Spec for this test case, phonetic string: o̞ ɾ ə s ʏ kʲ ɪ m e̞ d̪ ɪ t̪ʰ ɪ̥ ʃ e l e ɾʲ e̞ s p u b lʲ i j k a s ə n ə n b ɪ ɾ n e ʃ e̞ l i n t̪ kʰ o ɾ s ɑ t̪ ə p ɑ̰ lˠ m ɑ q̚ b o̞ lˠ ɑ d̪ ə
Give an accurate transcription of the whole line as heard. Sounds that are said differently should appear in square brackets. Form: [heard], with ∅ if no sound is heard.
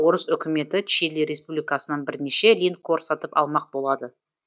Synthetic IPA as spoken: o̞ ɾ ə s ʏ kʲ ɪ m e̞ [t̪] ɪ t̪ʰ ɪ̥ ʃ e l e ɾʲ e̞ s p u b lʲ i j k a s ə n [ɑ] n b ɪ ɾ n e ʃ e̞ l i n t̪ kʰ o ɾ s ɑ t̪ ə p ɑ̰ lˠ m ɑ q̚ b o̞ lˠ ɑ d̪ ə